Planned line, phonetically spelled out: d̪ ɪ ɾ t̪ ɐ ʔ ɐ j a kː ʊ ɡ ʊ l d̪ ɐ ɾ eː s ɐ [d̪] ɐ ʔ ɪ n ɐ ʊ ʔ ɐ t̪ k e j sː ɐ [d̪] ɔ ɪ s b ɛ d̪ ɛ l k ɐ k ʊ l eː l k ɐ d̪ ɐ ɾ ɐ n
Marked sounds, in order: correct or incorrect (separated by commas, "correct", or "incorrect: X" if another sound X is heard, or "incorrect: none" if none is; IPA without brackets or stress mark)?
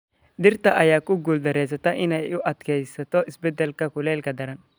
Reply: incorrect: t̪, incorrect: t̪